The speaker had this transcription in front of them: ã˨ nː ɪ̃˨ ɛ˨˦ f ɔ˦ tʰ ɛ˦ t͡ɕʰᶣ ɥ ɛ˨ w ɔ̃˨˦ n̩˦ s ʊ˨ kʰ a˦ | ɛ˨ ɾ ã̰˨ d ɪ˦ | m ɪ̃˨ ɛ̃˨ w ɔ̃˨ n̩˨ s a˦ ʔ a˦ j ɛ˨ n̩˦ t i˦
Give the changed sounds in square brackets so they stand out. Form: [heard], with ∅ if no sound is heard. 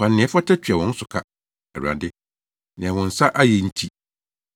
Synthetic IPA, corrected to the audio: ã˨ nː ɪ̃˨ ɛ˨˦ f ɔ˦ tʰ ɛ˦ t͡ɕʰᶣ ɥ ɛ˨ w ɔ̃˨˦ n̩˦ s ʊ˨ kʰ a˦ | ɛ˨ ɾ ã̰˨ d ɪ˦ | [n] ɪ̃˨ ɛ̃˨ w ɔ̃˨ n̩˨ s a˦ ʔ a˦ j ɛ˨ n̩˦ [tʰ] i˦